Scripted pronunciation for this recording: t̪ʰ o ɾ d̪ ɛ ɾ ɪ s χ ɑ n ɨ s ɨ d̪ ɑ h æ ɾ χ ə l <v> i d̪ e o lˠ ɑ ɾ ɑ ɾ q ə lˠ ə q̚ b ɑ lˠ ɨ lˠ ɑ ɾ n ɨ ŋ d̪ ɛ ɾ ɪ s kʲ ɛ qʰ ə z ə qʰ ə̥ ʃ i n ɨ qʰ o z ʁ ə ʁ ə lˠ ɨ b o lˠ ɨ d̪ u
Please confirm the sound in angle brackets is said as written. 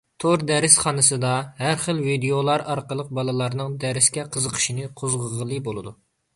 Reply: yes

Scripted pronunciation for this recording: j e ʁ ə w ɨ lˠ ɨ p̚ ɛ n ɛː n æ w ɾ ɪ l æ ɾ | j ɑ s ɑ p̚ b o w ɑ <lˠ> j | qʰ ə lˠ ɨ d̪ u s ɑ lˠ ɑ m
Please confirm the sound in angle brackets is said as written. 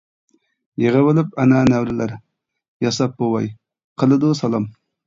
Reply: no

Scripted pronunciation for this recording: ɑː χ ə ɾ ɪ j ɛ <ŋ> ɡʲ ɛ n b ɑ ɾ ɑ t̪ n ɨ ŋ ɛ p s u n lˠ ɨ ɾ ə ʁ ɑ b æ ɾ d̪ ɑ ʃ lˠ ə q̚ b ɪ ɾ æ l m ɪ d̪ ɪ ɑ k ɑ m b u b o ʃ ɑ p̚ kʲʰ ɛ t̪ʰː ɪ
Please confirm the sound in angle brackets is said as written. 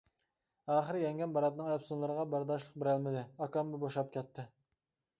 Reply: yes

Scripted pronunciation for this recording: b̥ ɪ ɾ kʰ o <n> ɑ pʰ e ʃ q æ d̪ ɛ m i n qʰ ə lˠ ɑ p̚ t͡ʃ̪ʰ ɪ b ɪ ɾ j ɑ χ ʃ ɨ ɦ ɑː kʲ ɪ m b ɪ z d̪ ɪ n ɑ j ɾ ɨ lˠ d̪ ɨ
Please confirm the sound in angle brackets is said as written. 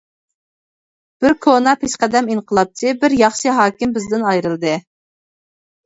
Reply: yes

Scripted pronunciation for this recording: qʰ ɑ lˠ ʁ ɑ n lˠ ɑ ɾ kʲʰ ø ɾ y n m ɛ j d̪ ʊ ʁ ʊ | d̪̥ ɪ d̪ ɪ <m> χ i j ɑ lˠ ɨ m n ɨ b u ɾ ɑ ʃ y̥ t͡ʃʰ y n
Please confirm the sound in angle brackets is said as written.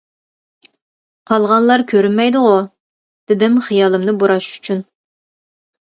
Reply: yes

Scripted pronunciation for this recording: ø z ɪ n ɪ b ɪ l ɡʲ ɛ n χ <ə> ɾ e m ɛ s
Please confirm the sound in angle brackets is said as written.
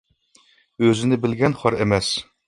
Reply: no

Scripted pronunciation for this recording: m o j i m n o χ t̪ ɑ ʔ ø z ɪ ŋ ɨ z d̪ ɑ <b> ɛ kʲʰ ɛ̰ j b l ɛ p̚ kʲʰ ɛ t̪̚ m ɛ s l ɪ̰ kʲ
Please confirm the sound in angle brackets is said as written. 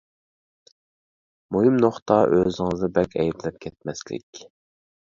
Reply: yes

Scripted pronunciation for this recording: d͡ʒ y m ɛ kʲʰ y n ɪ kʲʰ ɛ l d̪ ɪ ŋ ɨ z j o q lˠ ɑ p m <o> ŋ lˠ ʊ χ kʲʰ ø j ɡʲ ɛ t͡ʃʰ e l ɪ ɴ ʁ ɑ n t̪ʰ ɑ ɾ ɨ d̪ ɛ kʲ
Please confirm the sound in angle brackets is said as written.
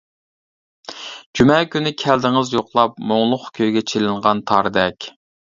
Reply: yes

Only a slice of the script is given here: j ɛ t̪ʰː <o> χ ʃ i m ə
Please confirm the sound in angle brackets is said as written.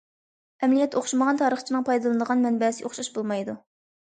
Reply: yes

